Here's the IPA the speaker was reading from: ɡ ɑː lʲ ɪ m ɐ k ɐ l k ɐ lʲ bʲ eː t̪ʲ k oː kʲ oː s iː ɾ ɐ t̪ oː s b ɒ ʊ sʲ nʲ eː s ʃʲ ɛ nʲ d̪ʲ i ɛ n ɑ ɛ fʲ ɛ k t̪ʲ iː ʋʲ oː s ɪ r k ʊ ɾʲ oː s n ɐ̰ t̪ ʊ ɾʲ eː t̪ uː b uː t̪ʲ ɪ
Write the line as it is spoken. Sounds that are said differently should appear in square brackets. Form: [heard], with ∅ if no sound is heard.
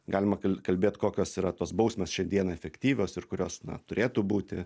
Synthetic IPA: ɡ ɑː lʲ ɪ m ɐ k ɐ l k ɐ lʲ bʲ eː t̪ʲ k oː kʲ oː s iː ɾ ɐ t̪ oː s b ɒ ʊ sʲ [mʲ] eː s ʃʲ ɛ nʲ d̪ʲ i ɛ n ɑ ɛ fʲ ɛ k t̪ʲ iː ʋʲ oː s ɪ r k ʊ ɾʲ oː s n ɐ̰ t̪ ʊ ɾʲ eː t̪ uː b uː t̪ʲ ɪ